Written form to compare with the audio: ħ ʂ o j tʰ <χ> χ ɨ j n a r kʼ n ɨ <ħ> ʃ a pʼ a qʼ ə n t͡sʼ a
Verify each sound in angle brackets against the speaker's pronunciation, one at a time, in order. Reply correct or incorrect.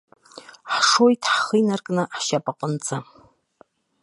incorrect, correct

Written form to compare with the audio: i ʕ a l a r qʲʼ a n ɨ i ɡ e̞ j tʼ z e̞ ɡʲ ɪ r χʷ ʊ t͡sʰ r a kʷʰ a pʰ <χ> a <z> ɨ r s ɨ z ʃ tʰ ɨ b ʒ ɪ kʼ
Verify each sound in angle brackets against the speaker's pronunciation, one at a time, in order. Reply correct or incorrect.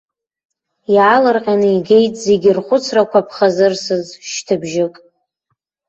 correct, correct

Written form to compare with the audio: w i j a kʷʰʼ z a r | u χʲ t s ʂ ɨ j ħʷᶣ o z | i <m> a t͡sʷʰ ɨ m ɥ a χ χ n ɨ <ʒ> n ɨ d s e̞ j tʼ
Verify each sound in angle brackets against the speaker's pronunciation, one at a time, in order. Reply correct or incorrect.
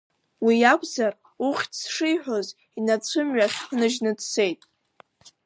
incorrect, correct

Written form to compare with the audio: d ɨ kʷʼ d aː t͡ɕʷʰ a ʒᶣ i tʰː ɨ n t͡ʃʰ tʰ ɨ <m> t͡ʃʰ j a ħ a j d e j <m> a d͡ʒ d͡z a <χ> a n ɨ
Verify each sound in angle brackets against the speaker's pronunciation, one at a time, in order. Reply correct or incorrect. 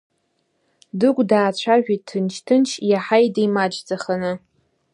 incorrect, correct, correct

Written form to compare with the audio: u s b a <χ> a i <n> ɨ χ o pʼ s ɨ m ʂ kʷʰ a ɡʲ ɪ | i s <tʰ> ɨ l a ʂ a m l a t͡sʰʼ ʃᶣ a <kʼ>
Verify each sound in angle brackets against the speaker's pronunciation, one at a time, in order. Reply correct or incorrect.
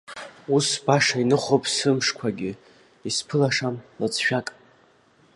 incorrect, correct, incorrect, correct

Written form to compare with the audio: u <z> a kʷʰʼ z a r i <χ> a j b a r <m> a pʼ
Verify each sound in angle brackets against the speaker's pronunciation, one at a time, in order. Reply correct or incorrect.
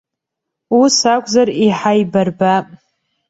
incorrect, incorrect, incorrect

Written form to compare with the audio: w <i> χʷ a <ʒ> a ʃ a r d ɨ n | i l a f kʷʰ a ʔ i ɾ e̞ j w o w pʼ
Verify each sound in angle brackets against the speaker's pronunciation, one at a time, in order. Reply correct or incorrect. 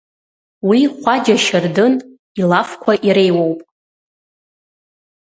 correct, incorrect

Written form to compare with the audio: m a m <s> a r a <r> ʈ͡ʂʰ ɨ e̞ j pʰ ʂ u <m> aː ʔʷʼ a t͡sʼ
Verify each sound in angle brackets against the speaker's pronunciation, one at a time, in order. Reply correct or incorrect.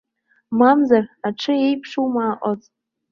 incorrect, incorrect, correct

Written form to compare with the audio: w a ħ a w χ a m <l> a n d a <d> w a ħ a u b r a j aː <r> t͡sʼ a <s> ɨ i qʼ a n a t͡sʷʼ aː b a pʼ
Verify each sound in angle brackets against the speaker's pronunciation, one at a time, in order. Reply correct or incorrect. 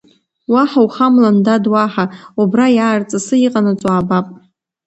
correct, correct, correct, correct

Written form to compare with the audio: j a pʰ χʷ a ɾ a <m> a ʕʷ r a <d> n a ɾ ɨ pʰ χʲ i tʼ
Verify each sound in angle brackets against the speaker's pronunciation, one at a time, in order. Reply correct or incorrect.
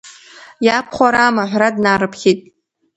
correct, correct

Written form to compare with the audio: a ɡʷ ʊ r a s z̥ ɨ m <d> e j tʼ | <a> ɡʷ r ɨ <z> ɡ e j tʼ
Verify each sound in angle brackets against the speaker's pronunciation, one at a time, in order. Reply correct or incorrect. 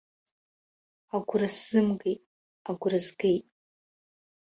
incorrect, correct, correct

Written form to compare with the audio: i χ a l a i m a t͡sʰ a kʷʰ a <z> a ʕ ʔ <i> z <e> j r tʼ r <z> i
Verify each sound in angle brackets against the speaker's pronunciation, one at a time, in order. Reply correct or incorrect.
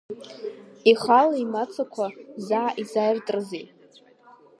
correct, correct, incorrect, correct

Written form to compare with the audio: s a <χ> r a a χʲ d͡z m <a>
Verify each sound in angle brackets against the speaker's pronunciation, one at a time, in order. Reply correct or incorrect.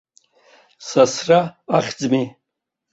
incorrect, incorrect

